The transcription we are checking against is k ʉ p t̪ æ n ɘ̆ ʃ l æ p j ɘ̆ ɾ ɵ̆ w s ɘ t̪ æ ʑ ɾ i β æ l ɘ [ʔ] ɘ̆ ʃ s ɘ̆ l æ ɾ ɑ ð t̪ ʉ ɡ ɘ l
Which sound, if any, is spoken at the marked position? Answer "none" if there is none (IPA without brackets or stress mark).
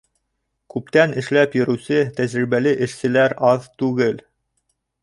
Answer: ʔ